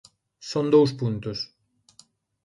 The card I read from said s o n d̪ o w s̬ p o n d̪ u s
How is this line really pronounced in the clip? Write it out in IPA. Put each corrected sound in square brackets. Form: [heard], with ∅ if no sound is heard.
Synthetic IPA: s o n d̪ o w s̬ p [u] n [t̪] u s

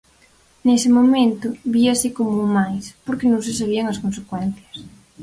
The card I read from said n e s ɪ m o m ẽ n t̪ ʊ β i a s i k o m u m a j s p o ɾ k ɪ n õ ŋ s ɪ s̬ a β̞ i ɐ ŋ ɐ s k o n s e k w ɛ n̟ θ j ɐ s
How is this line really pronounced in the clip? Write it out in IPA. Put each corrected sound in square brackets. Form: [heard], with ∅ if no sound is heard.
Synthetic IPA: n e s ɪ m o m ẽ n t̪ ʊ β i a s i k o m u m a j s p o ɾ k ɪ n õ ŋ s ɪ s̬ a β̞ i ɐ ŋ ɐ s k o n s e k w ɛ n̟ θ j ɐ s

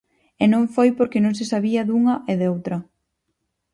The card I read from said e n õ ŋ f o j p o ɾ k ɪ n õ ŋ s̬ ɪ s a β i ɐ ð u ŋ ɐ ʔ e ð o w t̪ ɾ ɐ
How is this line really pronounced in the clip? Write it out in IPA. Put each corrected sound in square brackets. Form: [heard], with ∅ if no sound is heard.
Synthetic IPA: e n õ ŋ f o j p o ɾ k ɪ n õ ŋ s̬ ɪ s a β i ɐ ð u ŋ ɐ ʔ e ð o w t̪ ɾ ɐ

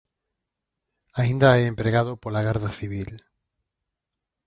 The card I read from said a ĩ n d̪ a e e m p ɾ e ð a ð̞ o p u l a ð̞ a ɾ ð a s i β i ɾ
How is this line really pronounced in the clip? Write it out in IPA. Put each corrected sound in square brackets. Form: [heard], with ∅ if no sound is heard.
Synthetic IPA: a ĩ n d̪ a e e m p ɾ e [ɣ] a ð̞ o p [o] l a [ɣ̞] a ɾ ð a [θ] i β i [l]

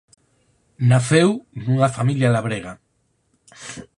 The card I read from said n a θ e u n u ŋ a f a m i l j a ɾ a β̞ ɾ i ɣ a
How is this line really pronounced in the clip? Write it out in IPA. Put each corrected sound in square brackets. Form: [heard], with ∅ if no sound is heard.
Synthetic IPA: n a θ e [w] n u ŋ a f a m i l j a [l] a β̞ ɾ [e] ɣ a

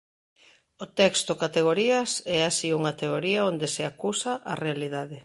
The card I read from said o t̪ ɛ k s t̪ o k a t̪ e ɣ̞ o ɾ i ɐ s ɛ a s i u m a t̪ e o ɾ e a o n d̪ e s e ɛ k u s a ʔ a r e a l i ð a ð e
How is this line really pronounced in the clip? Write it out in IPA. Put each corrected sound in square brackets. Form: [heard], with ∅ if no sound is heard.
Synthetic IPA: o t̪ ɛ k s t̪ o k a t̪ e ɣ̞ o ɾ i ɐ s ɛ a s i u [ŋ] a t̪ e o ɾ [i] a o n d̪ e s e [a] k u s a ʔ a r e a l i ð a ð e

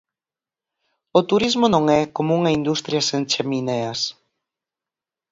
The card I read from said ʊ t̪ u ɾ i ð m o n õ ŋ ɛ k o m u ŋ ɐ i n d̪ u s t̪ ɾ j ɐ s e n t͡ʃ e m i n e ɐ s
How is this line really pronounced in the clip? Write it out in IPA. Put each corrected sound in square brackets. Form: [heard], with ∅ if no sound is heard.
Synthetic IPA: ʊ t̪ u ɾ i [z] m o n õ ŋ ɛ k o m u ŋ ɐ i n d̪ u s t̪ ɾ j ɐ s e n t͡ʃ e m i n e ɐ s

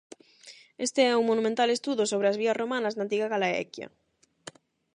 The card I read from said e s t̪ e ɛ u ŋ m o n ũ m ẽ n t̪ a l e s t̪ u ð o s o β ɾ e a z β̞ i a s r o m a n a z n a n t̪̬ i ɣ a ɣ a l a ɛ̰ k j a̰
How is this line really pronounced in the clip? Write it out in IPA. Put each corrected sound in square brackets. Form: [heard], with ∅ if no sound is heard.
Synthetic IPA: e s t̪ e ɛ u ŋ m o n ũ m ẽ n t̪ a l e s t̪ u ð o s o β ɾ e a z β̞ i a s r o m a n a z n a n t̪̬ i ɣ a ɣ a l a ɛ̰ k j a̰

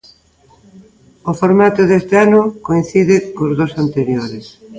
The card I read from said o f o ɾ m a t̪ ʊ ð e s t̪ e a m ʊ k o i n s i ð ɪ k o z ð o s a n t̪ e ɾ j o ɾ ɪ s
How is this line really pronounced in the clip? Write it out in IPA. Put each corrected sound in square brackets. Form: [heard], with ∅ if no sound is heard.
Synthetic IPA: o f o ɾ m a t̪ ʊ ð e s t̪ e a [n] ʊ k o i n [θ] i ð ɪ k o z ð o s a n t̪ e ɾ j o ɾ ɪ s

